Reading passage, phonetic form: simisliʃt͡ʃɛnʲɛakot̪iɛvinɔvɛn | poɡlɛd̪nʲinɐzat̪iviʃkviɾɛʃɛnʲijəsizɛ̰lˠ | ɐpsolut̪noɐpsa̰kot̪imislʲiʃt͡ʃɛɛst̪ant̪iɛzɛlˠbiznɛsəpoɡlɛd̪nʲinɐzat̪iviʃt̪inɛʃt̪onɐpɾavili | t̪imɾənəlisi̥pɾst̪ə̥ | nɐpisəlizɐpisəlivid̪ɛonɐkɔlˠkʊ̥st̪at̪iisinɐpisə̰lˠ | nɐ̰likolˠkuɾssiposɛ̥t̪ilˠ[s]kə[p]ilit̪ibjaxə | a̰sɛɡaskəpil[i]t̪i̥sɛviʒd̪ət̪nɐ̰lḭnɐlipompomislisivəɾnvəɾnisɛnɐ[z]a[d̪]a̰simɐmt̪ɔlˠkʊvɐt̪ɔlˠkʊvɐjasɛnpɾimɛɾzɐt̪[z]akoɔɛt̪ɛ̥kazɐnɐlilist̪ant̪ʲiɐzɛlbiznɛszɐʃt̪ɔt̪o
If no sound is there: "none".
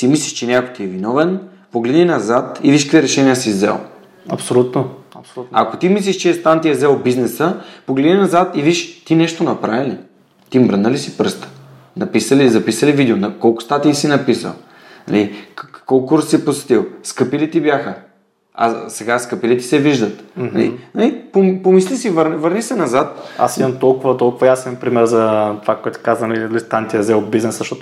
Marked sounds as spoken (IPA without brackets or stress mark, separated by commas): s, p, i, z, t̪, v